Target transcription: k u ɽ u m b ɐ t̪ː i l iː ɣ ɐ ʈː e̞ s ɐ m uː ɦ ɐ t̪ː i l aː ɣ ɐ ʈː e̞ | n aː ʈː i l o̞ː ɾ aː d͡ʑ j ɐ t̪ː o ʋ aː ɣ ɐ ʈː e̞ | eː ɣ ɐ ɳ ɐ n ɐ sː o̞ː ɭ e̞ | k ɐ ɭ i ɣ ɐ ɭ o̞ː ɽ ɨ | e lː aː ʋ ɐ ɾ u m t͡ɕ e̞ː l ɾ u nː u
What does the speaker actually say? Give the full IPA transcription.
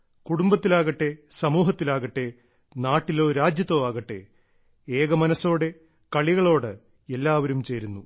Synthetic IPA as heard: k u ɽ u m b ɐ t̪ː i l aː ɣ ɐ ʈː e̞ s ɐ m uː ɦ ɐ t̪ː i l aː ɣ ɐ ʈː e̞ | n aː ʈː i l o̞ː ɾ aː d͡ʑ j ɐ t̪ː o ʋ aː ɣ ɐ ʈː e̞ | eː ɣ ɐ m ɐ n ɐ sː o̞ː ɽ e̞ | k ɐ ɭ i ɣ ɐ ɭ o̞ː ɽ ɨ | e lː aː ʋ ɐ ɾ u m t͡ɕ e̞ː ɾ u nː u